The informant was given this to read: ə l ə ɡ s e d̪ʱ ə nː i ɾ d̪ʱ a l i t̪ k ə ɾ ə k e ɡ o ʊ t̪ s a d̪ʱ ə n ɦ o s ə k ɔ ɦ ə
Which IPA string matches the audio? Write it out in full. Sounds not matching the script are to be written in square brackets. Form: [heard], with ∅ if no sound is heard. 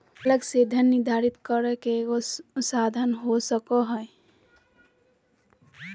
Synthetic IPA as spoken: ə l ə ɡ s e d̪ʱ ə nː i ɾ d̪ʱ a [ɾ] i t̪ k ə ɾ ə k e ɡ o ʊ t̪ s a d̪ʱ ə n ɦ o s ə k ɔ ɦ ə